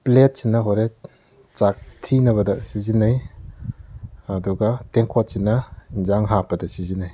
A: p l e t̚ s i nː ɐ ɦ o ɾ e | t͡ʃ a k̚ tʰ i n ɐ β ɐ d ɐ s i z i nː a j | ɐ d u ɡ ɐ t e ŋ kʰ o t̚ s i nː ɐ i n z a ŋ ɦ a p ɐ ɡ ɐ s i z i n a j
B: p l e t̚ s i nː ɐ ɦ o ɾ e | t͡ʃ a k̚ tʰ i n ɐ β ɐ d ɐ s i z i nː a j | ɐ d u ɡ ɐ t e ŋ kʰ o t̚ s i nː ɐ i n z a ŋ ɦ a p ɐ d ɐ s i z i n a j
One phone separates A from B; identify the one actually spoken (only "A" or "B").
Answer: B